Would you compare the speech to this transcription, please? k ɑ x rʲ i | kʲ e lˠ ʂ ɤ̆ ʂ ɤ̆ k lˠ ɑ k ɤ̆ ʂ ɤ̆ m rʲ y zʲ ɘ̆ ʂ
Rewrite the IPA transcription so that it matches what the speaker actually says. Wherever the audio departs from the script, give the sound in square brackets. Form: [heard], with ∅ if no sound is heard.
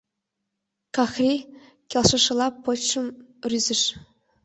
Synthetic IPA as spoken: k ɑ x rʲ i | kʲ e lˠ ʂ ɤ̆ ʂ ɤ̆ [∅] lˠ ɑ [p] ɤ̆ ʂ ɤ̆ m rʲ y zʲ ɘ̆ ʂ